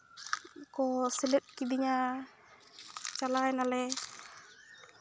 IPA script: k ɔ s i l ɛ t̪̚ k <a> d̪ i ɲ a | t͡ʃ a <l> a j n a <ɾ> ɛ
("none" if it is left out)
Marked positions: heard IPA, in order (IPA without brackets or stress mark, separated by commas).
i, l, l